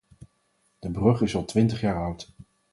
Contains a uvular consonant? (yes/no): yes